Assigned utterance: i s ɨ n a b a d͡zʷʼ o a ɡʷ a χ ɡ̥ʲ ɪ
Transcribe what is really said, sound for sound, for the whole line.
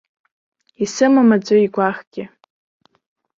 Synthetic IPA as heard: i s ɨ m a m a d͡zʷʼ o i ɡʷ a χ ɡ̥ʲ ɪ